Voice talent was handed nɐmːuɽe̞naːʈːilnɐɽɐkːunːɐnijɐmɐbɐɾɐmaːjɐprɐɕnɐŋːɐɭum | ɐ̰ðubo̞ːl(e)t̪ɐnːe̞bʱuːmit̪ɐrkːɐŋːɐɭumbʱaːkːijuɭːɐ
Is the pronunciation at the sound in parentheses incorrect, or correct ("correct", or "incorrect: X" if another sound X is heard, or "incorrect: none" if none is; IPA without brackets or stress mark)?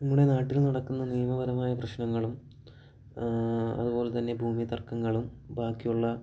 correct